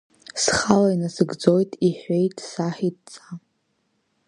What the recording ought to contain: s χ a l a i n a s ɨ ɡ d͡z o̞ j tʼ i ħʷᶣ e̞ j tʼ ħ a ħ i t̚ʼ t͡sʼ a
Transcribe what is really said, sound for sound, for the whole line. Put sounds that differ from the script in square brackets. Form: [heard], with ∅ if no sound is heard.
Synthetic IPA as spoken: s χ a l a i n a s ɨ ɡ d͡z o̞ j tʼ i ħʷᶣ e̞ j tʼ [s] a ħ i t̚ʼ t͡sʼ a